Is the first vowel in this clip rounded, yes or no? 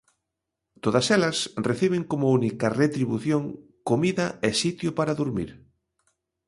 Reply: yes